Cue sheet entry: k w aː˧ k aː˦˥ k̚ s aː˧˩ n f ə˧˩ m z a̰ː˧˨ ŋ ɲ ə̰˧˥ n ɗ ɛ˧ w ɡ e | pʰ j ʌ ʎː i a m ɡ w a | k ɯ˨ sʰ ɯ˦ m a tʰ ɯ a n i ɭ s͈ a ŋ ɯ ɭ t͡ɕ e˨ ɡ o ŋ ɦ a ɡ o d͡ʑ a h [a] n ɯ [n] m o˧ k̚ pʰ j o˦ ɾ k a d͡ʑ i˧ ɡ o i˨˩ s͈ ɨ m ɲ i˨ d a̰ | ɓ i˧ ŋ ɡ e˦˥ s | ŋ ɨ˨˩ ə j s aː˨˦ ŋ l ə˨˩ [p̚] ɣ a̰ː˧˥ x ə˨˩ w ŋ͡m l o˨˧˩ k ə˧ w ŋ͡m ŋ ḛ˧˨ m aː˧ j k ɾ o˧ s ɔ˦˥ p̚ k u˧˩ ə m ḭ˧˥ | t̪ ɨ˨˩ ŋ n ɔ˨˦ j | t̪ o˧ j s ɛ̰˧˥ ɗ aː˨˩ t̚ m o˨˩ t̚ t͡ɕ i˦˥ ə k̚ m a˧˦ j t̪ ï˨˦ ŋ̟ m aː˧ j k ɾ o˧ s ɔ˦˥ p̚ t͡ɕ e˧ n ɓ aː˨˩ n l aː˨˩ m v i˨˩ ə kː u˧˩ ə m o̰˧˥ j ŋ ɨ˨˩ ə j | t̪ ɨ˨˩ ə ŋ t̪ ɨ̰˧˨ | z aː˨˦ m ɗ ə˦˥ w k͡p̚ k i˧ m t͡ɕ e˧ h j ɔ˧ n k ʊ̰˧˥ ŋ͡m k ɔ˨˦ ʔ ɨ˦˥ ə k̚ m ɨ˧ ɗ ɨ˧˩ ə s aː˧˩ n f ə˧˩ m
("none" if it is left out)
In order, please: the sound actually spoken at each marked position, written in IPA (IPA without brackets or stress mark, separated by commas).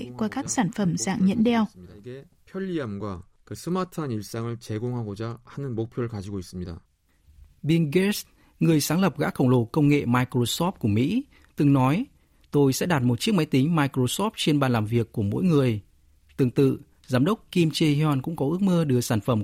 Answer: a, n, p̚